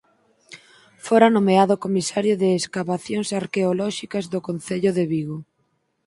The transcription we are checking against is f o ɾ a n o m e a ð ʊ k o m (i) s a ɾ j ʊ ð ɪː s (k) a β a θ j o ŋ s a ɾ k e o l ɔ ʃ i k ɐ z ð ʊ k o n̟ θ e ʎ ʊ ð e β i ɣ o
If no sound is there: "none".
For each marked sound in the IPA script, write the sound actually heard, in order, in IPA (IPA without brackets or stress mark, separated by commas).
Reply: i, k